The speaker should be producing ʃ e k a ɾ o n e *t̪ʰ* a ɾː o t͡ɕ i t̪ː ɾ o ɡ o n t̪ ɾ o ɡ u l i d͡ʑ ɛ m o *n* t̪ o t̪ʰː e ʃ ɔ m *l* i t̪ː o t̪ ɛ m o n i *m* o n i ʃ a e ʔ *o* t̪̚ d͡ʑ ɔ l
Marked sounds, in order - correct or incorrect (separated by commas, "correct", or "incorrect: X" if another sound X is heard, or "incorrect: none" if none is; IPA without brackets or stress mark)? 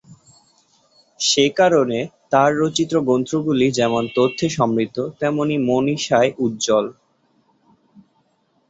incorrect: t̪, correct, incorrect: ɾ, correct, incorrect: u